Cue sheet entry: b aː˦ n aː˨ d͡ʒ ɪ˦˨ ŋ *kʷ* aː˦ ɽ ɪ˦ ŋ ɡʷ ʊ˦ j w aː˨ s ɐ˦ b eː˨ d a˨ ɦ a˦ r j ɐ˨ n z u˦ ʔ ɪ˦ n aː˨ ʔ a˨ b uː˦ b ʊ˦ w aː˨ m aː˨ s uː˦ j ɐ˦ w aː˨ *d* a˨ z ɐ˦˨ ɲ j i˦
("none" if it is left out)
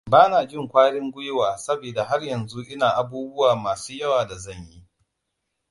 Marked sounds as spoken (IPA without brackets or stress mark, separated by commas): kʷ, d